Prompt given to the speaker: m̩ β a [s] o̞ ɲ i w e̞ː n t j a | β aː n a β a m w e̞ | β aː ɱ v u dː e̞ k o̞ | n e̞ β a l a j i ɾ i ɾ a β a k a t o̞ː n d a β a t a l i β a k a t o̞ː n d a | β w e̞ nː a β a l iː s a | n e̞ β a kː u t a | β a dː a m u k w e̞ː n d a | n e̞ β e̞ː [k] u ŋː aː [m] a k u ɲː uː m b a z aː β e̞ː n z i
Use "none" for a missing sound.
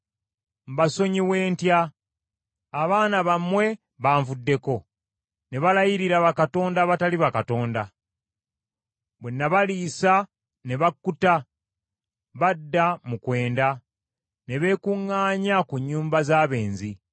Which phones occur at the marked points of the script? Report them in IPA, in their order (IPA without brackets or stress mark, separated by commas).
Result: s, k, ɲ